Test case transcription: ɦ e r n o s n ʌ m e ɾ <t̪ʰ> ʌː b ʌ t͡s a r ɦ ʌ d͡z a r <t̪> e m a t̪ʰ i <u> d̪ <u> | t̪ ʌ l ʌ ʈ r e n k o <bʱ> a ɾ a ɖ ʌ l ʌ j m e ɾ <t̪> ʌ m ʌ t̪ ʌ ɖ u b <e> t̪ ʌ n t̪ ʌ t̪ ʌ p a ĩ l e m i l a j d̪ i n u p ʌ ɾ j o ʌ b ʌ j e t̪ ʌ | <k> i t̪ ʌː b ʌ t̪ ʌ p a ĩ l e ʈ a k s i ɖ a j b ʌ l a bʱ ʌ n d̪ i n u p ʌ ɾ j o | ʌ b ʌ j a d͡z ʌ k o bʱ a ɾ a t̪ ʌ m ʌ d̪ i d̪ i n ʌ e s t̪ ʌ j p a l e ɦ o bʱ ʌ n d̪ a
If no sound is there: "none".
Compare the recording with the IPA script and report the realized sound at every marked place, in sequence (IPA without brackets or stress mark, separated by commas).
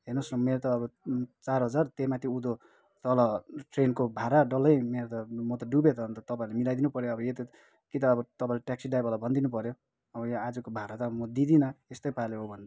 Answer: t̪, t̪, u, o, bʱ, t̪, e, k